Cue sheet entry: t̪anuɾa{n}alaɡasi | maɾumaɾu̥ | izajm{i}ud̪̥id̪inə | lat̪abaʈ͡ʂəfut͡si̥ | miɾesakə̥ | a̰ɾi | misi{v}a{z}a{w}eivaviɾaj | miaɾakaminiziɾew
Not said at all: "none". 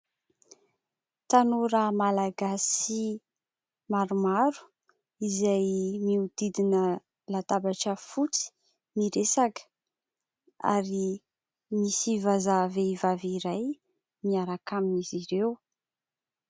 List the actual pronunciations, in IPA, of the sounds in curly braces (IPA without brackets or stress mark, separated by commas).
m, i, v, z, v